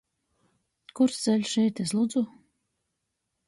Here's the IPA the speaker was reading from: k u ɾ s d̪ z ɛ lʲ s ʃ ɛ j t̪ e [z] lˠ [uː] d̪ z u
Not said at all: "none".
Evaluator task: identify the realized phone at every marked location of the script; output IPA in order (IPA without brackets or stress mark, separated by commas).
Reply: s, u